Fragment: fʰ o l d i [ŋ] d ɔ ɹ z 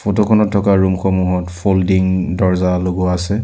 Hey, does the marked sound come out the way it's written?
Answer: yes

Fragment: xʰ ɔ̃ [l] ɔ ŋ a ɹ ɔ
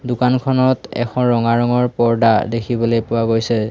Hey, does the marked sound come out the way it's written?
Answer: no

